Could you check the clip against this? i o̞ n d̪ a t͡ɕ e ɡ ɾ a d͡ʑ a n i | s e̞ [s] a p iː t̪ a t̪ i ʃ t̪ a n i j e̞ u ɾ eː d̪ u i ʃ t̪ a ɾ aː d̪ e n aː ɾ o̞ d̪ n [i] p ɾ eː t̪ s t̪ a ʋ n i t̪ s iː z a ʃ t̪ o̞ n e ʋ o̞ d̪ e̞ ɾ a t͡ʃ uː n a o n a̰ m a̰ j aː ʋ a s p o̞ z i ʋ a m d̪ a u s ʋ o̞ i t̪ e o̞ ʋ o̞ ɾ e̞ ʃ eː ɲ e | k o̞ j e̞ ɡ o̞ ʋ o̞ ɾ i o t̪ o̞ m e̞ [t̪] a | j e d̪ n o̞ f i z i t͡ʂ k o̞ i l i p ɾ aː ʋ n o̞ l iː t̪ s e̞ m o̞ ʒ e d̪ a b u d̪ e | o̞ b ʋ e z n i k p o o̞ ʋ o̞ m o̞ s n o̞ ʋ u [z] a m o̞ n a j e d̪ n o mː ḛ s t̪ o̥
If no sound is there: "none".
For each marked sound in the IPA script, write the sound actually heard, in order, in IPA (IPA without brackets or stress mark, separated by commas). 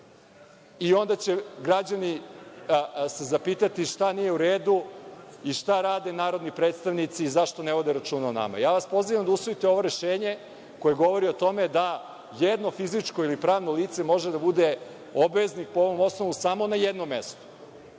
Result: z, i, d̪, s